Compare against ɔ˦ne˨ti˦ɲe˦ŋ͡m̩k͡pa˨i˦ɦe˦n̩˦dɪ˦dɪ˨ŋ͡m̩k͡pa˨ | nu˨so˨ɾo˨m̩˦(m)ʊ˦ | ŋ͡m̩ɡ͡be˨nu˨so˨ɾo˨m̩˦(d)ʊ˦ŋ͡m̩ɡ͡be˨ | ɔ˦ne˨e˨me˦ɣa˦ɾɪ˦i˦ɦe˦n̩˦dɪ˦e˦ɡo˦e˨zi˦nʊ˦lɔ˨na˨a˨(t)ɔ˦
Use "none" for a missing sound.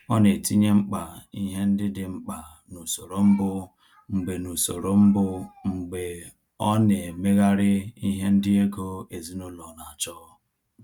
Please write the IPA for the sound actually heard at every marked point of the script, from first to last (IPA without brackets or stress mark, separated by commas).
b, b, t͡ʃ